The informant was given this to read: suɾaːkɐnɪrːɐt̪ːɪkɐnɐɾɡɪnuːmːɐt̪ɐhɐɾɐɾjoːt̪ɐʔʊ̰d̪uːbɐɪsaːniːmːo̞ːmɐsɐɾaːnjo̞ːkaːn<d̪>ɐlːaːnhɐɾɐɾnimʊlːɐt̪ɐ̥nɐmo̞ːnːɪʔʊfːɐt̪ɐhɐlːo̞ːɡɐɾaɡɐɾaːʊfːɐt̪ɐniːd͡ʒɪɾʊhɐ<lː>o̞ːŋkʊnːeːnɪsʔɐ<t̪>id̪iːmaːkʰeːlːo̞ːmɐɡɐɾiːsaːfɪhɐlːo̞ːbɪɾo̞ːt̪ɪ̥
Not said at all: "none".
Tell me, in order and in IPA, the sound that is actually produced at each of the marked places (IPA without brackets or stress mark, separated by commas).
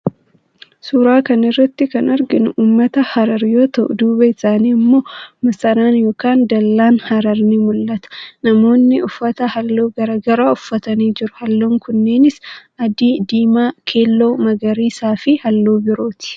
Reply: d̪, lː, d̪